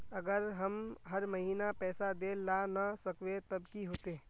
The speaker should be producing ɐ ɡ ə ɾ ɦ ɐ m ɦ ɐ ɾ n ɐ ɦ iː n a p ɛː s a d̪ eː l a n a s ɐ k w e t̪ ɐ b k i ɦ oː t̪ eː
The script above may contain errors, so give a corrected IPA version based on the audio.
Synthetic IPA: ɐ ɡ ə ɾ ɦ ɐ m ɦ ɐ ɾ m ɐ ɦ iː n a p ɛː s a d̪ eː l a n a s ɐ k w e t̪ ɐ b k i ɦ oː t̪ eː

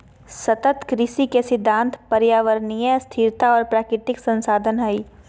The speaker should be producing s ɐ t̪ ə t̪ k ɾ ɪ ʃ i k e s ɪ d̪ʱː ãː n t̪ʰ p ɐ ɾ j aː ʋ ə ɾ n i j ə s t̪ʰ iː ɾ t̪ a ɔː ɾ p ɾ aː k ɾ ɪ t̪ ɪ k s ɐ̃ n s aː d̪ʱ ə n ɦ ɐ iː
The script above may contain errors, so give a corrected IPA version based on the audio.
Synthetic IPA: s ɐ t̪ ə t̪ k ɾ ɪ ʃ i k e s ɪ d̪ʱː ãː n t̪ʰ p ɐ ɾ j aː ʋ ə ɾ n i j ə s t̪ʰ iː ɾ t̪ a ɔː ɾ p ɾ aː k ɾ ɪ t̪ ɪ k s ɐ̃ n s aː d̪ʱ ə n ɦ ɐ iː

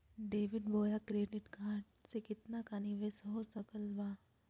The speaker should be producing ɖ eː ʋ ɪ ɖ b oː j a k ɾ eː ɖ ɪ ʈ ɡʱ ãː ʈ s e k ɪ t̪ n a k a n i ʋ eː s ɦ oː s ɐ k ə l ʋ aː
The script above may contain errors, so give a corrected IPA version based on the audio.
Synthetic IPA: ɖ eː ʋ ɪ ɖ b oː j a k ɾ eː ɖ ɪ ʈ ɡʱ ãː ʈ s e k ɪ t̪ n a k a n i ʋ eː s ɦ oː s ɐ k ə l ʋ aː

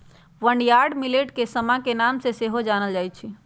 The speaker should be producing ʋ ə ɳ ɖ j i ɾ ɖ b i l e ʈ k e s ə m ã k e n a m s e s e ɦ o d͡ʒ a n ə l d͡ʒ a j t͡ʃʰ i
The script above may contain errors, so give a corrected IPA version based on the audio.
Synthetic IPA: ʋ ə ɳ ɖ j a ɾ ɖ m i l e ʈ k e s ə m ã k e n a m s e s e ɦ o d͡ʒ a n ə l d͡ʒ a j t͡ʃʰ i

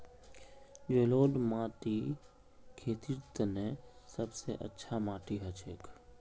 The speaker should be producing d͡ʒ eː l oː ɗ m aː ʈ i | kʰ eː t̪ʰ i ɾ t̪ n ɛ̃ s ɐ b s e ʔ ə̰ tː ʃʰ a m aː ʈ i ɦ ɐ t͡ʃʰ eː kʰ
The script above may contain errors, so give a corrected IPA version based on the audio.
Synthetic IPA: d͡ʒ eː l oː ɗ m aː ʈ i | kʰ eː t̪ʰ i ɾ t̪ n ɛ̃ s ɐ b s e ʔ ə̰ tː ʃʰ a m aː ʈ i ɦ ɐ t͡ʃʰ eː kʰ

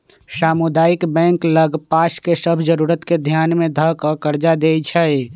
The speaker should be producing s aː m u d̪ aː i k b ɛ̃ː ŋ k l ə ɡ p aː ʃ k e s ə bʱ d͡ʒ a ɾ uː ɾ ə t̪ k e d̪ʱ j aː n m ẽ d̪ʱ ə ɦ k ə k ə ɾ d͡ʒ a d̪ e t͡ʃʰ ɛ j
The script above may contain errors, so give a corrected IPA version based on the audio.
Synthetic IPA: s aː m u d̪ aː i k b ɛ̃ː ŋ k l ə ɡ p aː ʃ k e s ə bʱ d͡ʒ ə ɾ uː ɾ ə t̪ k e d̪ʱ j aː n m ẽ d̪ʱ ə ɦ k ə k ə ɾ d͡ʒ a d̪ e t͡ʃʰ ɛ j

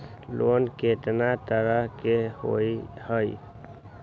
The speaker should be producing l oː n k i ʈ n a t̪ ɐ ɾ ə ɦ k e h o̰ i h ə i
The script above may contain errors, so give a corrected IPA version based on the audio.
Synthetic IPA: l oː n k e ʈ n a t̪ ə ɾ ə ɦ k e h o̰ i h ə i

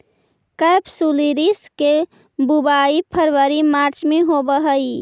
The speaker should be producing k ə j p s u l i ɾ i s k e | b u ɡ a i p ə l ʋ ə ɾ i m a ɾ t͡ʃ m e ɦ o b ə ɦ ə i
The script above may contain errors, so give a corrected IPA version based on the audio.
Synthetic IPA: k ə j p s u l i ɾ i s k e | b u b a i pʰ ə ɾ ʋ ə ɾ i m a ɾ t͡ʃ m e ɦ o b ə ɦ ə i

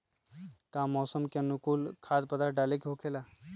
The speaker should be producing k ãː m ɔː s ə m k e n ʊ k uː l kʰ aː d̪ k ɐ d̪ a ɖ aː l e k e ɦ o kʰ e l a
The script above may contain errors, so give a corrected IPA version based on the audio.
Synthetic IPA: k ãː m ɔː s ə m k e n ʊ k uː l kʰ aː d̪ p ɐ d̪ a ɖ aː l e k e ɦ o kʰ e l a

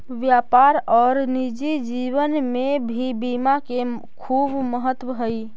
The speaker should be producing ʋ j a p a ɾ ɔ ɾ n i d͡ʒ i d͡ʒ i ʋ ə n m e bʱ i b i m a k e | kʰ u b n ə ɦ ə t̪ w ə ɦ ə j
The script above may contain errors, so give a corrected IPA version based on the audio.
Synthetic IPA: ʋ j a p a ɾ ɔ ɾ n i d͡ʒ i d͡ʒ i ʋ ə n m e bʱ i b i m a k e | kʰ u b m ə ɦ ə t̪ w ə ɦ ə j

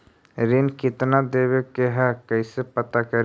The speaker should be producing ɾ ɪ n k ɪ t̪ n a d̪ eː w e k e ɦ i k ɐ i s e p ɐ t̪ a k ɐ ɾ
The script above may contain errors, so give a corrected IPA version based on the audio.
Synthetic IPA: ɾ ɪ n k ɪ t̪ n a d̪ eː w e k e ɦ ɛ k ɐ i s e p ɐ t̪ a k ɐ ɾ

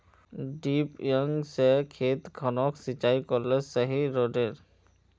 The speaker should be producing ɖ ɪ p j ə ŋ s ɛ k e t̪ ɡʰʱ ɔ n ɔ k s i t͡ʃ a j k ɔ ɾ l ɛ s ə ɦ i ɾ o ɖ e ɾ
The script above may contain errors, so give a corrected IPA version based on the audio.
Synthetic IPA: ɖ i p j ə ŋ s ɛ kʰ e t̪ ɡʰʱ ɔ n ɔ k s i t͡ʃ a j k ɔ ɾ l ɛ s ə ɦ i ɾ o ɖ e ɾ

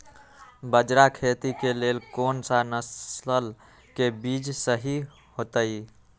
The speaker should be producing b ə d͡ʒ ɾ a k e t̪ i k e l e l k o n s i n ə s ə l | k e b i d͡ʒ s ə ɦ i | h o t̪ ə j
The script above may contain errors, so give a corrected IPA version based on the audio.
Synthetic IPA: b ə d͡ʒ ɾ a kʰ e t̪ i k e l e l k o n s a n ə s ə l | k e b i d͡ʒ s ə ɦ i | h o t̪ ə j

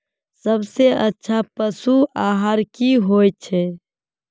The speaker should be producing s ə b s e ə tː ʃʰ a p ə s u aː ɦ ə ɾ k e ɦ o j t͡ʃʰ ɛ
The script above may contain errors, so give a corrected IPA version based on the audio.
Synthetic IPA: s ə b s e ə tː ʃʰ a p ə s u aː ɦ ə ɾ k i ɦ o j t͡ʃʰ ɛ

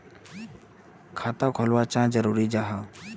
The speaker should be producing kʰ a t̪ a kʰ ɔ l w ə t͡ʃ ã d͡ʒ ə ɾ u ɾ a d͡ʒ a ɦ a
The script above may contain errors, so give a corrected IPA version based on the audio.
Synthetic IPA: kʰ a t̪ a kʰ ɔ l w a t͡ʃ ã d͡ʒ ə ɾ u ɾ i d͡ʒ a ɦ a

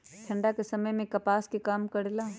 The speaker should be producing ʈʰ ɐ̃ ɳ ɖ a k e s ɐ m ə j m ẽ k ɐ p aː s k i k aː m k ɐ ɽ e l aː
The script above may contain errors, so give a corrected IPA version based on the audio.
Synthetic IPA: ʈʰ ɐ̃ ɳ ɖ a k e s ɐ m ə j m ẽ k ɐ p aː s k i k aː m k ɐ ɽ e l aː

